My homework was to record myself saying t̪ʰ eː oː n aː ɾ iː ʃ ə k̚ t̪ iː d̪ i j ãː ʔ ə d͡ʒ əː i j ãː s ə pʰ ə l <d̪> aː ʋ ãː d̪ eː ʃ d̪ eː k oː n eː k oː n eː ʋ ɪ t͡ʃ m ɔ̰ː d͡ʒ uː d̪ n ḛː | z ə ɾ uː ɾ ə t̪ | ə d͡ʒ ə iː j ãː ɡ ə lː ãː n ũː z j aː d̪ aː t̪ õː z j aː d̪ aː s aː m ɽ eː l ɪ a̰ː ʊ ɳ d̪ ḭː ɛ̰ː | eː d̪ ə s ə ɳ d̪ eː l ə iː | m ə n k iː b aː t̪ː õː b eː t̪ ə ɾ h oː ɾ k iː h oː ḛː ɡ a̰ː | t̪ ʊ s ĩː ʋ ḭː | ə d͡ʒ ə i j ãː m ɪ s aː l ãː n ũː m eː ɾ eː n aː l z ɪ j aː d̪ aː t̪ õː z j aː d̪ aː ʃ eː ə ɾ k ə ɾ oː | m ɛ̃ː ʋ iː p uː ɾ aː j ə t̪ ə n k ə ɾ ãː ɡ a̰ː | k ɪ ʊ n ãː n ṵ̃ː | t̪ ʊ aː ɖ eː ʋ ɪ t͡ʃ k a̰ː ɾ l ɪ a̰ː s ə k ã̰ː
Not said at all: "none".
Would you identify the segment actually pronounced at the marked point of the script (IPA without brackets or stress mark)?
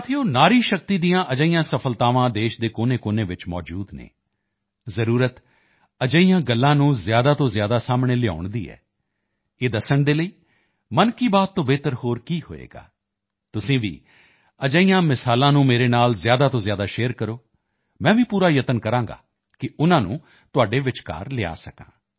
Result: t̪